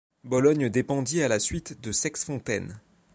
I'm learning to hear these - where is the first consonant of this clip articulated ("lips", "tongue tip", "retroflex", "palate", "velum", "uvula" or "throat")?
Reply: lips